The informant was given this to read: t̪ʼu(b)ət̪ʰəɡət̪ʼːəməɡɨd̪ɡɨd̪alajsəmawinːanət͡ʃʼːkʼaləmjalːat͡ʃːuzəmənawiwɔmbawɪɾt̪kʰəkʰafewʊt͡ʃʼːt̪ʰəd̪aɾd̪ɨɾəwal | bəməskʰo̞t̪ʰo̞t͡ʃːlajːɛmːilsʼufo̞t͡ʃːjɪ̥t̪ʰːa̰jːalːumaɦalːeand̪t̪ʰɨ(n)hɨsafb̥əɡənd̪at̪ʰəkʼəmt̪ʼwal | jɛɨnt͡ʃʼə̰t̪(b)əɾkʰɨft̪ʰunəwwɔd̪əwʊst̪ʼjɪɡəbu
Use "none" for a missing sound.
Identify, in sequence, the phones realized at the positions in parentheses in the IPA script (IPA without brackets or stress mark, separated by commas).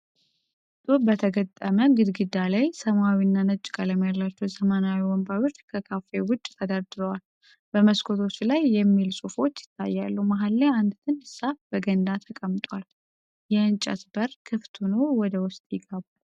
b, n, b